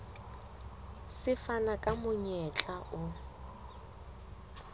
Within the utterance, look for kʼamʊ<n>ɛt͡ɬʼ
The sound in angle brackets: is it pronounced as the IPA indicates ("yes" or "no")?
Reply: no